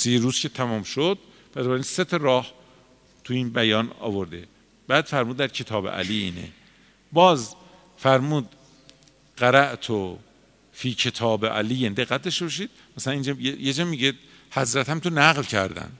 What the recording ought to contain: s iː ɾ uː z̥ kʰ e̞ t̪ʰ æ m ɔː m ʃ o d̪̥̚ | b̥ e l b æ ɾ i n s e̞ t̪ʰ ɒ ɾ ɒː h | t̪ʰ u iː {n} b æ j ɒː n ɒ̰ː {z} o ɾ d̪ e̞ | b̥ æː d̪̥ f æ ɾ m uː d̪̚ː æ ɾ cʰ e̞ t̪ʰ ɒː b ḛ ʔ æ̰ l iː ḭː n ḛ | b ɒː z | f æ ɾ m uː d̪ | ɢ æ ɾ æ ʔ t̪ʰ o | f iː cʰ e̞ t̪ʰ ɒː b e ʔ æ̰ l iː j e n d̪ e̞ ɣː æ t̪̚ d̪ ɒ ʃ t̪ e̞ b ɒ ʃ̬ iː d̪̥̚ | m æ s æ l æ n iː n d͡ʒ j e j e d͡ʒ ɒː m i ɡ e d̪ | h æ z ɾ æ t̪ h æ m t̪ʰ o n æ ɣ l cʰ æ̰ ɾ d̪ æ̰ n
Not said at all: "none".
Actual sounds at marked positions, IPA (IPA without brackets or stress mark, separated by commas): n, v